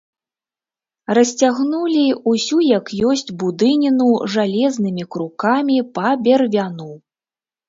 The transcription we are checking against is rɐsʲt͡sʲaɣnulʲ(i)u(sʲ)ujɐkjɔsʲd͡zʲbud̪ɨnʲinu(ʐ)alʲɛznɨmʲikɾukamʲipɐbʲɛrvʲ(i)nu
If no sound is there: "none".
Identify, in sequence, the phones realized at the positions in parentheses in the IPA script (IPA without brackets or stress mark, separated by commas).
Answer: i, sʲ, ʐ, a